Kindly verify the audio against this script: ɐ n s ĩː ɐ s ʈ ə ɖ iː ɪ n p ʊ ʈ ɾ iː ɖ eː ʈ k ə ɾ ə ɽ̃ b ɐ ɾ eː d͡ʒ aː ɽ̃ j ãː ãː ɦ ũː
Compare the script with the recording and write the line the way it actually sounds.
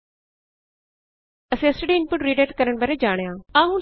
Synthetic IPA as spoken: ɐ s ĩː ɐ s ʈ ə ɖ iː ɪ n p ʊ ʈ ɾ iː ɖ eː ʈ k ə ɾ ə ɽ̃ b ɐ ɾ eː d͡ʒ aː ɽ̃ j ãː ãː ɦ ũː